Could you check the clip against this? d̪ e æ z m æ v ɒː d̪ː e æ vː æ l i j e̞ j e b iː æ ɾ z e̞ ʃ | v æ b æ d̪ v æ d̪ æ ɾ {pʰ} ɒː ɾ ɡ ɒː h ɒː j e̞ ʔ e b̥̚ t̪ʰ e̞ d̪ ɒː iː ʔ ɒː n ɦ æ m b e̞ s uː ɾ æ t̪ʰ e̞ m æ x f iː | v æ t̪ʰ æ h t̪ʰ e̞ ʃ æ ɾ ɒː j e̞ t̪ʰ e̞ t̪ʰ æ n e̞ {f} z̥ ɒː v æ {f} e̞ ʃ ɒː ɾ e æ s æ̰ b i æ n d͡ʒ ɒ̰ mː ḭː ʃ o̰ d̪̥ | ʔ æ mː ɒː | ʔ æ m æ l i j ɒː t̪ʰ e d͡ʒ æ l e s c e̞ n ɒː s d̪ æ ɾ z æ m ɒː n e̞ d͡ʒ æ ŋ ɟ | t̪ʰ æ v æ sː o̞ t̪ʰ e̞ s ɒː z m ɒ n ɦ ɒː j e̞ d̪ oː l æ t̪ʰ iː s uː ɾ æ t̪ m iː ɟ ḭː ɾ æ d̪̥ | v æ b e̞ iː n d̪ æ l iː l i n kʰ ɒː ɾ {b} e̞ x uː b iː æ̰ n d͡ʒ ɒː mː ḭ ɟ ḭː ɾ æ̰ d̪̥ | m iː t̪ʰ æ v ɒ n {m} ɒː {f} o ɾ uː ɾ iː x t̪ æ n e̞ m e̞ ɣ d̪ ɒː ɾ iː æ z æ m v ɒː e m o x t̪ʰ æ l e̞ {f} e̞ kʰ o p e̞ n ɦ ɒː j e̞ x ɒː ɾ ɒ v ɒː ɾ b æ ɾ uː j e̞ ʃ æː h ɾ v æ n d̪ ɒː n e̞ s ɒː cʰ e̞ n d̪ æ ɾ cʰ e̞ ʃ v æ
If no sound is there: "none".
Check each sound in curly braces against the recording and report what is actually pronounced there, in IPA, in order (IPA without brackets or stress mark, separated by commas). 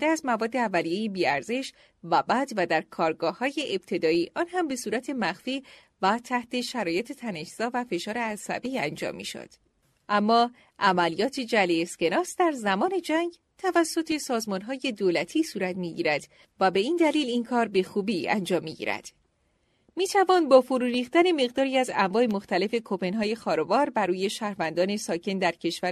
kʰ, ʃ, f, b, b, f, f